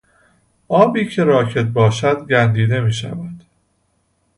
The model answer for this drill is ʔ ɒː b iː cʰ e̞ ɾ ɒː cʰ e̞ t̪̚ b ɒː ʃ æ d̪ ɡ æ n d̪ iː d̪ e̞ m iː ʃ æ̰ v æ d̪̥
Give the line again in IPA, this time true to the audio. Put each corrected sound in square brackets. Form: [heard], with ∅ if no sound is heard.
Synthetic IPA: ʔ ɒː b iː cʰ e̞ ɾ ɒː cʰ e̞ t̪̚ b ɒː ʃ æ d̪ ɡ æ n d̪ iː d̪ e̞ m iː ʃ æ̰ v æ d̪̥